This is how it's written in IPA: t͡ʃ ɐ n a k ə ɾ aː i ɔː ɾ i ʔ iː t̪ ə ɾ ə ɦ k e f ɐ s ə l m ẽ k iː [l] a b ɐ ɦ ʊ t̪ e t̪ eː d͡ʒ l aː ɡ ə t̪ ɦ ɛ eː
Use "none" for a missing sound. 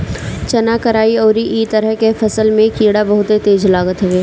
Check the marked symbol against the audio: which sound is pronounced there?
ɽ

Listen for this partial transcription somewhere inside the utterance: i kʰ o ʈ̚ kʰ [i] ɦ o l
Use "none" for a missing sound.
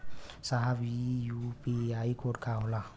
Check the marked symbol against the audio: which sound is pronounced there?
a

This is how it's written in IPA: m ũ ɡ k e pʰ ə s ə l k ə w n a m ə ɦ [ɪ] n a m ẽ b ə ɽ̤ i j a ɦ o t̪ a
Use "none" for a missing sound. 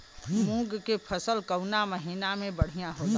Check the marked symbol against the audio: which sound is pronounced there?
i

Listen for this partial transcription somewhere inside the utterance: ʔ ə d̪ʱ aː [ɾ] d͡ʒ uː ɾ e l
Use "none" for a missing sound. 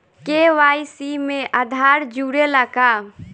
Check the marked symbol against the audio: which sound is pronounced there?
ɾ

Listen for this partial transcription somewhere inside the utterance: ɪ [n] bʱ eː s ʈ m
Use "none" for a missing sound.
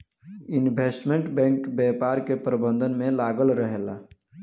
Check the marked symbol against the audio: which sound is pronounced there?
n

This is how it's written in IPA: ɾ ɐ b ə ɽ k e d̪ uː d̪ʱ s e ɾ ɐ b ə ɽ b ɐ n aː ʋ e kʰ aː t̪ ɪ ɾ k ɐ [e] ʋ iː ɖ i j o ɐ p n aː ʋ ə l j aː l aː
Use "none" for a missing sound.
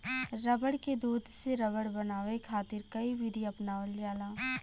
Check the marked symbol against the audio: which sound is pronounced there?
i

